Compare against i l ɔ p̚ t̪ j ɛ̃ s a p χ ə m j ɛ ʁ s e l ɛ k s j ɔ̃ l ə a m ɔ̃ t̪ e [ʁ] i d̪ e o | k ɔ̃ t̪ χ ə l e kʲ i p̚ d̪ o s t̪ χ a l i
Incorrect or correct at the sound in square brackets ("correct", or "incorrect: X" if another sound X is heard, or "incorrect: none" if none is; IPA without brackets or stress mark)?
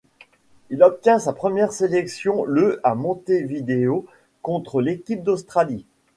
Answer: incorrect: v